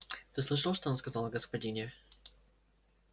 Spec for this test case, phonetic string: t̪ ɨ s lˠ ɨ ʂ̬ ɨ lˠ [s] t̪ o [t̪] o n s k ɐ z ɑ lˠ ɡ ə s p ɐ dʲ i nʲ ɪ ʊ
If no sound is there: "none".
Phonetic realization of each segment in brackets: ʂ, none

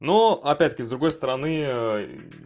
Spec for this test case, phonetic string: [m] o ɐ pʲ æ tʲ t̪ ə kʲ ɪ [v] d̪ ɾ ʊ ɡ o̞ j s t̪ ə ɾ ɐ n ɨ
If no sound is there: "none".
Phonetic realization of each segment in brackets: n, z

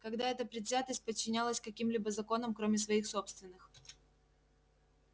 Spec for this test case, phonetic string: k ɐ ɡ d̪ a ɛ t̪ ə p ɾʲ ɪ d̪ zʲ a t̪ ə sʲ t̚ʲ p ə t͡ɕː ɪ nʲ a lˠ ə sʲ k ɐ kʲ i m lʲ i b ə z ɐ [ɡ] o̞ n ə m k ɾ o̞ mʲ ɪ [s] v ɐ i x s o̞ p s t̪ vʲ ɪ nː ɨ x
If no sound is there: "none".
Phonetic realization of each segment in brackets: k, s

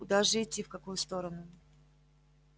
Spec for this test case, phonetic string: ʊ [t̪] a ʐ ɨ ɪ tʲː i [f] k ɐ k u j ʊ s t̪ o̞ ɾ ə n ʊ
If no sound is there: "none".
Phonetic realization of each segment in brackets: d̪, f

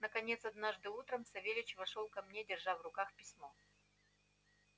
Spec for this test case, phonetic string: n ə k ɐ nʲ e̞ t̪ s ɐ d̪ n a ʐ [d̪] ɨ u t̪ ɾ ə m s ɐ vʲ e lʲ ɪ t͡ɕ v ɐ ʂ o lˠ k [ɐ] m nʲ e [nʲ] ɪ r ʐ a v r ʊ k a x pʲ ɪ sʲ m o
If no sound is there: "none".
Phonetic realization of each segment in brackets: d̪, ɐ, dʲ

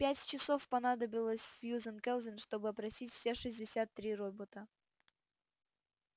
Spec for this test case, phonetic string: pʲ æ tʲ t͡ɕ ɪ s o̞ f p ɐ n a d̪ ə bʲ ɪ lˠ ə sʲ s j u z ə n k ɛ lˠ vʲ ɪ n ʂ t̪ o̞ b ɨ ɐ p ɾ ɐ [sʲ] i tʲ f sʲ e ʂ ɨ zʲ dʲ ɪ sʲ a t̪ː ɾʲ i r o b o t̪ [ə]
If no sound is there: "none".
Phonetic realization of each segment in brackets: sʲ, ə

